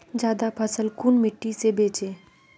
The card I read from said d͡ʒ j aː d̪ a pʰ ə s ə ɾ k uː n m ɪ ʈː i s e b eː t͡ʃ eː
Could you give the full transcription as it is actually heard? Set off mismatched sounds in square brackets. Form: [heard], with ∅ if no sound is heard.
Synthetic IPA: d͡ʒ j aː d̪ a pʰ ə s ə [l] k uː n m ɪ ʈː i s e b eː t͡ʃ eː